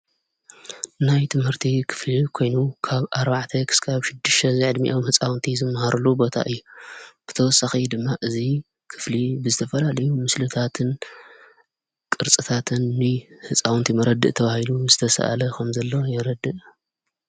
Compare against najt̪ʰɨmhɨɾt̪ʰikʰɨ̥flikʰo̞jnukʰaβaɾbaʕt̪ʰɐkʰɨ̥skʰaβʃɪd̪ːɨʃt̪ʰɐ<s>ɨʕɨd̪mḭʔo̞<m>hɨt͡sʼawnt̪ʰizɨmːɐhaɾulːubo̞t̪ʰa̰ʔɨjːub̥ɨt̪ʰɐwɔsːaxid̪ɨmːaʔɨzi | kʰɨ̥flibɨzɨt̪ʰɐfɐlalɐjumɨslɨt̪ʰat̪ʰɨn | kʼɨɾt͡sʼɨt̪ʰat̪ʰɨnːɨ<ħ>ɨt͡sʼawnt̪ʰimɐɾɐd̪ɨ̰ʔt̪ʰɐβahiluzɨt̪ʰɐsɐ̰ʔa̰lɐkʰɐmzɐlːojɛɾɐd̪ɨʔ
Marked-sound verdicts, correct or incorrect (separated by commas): incorrect, correct, incorrect